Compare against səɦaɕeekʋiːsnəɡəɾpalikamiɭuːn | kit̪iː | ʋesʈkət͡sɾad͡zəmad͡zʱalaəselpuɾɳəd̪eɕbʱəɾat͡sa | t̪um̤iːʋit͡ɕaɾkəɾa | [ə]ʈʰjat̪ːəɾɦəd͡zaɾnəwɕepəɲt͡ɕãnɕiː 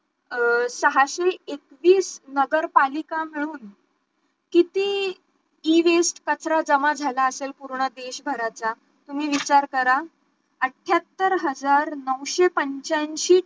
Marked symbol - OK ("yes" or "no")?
yes